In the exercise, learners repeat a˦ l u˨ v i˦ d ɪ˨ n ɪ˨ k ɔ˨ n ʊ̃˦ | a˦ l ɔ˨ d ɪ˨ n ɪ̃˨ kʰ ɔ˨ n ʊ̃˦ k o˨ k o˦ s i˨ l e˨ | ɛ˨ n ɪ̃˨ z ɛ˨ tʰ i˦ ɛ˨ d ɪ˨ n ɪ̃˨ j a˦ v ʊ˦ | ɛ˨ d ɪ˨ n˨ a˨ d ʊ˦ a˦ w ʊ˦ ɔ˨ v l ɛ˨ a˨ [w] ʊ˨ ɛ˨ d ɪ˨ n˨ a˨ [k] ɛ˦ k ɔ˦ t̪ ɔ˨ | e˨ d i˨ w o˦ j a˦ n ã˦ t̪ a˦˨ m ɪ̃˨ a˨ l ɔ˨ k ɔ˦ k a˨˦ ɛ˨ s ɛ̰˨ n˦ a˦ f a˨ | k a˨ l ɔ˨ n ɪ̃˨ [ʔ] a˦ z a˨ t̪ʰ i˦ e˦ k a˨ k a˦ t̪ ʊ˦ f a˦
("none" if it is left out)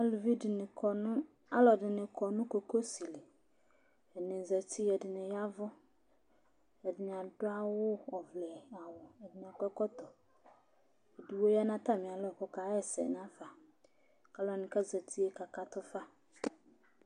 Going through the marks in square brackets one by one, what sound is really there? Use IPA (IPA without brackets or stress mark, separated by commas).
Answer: w, k, k